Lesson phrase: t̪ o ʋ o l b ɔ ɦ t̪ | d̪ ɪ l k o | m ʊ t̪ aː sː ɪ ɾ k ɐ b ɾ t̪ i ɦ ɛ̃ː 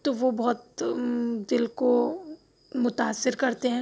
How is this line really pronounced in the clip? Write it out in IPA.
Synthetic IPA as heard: t̪ o ʋ o b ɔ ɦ t̪ | d̪ ɪ l k o | m ʊ t̪ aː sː ɪ ɾ k ɐ ɾ t̪ e ɦ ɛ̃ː